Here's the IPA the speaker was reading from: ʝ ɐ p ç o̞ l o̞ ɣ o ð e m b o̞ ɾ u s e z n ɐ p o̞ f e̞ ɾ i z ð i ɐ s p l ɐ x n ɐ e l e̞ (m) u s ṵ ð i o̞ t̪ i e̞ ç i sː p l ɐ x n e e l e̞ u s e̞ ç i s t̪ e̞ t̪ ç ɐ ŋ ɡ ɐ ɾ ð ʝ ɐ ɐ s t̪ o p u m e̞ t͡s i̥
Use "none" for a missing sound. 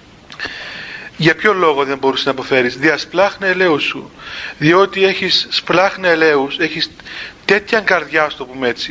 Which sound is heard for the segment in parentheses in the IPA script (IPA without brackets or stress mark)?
none